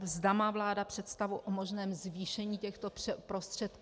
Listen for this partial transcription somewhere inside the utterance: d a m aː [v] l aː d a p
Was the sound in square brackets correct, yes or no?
yes